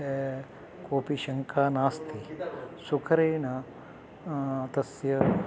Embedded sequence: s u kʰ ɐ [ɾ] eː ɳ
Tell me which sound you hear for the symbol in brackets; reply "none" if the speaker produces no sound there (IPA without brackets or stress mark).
ɾ